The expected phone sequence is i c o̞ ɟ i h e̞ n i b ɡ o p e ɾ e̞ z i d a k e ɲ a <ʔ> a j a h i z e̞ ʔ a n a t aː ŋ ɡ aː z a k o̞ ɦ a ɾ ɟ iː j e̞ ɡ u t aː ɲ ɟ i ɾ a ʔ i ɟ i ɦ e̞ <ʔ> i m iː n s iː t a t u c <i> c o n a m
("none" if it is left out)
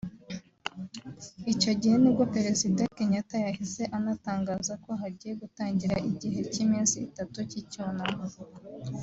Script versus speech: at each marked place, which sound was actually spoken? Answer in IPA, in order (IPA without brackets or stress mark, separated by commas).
k, c, i